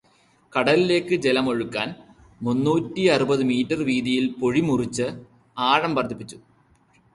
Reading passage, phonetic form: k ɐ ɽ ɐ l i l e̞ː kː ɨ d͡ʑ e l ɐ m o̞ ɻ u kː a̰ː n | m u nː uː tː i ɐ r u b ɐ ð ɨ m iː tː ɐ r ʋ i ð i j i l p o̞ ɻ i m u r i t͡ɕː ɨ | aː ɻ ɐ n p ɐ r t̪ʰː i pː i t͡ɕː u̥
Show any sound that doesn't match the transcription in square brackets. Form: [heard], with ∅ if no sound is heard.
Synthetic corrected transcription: k ɐ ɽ ɐ l i l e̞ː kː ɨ d͡ʑ e l ɐ m o̞ ɻ u kː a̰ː n | m u nː uː tː i ɐ r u b ɐ ð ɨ m iː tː ɐ r ʋ [iː] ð i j i l p o̞ ɻ i m u r i t͡ɕː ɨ | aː ɻ ɐ [m] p ɐ r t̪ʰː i pː i t͡ɕː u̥